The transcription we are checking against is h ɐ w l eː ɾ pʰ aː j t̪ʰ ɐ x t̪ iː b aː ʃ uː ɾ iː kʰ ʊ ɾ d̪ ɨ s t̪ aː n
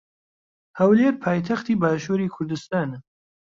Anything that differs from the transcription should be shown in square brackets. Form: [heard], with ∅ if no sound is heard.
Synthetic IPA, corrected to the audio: h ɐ w l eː ɾ pʰ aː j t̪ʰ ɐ x t̪ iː b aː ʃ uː ɾ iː kʰ ʊ ɾ d̪ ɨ s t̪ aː n